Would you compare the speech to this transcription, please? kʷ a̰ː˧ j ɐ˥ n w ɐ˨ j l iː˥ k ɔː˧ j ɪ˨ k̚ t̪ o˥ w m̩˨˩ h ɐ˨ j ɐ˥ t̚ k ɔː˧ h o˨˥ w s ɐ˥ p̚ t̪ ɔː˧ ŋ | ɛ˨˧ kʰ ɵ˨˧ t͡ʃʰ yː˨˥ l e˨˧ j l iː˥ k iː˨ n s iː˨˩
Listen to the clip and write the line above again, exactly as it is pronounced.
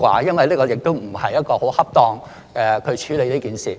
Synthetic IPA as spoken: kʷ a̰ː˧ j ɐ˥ n w ɐ˨ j l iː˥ k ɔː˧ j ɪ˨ k̚ t̪ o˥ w m̩˨˩ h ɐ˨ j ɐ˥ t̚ k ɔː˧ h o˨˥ w h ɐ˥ p̚ t̪ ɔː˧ ŋ | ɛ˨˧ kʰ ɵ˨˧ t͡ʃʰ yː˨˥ l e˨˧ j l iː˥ k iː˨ n s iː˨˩